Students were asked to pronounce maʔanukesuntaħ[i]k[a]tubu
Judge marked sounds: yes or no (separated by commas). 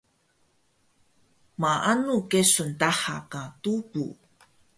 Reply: no, yes